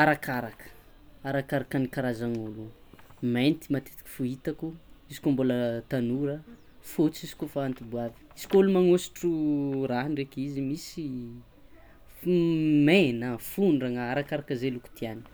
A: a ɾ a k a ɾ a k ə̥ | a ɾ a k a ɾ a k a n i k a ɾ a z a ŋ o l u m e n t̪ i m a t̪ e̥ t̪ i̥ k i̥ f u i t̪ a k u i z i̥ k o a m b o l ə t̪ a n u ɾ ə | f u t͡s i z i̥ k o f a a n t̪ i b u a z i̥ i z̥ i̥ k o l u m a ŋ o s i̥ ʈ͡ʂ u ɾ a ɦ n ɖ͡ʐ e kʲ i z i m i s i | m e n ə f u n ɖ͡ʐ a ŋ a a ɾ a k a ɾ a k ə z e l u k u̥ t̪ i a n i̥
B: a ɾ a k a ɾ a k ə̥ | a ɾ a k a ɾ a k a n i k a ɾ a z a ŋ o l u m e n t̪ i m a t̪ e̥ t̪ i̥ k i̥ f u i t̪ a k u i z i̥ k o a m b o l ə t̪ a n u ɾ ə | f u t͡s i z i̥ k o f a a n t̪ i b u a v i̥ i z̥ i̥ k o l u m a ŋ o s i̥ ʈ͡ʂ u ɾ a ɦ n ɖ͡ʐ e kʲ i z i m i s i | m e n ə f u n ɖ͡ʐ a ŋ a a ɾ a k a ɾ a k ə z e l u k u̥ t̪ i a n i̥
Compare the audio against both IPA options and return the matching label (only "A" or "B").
B